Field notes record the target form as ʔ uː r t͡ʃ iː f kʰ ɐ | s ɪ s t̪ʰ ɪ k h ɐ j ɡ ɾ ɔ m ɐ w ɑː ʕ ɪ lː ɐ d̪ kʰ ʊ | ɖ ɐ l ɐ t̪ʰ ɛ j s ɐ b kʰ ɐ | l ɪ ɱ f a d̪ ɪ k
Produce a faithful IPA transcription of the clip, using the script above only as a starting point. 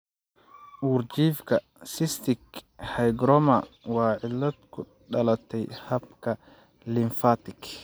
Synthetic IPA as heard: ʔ uː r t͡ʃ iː f kʰ ɐ | s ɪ s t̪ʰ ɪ k h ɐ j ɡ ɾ ɔ m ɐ w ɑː ʕ ɪ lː ɐ d̪ kʰ ʊ | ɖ ɐ l ɐ t̪ʰ ɛ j h ɐ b kʰ ɐ | l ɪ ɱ f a t̪ ɪ k